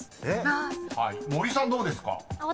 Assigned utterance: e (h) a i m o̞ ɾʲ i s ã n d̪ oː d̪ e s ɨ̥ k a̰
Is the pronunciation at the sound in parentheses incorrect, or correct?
correct